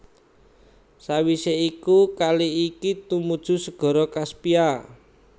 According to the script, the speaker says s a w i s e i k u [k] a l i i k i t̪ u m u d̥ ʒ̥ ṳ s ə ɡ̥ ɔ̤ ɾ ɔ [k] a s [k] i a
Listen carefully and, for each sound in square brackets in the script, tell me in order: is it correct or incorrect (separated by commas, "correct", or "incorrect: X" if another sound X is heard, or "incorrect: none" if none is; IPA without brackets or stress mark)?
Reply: correct, correct, incorrect: p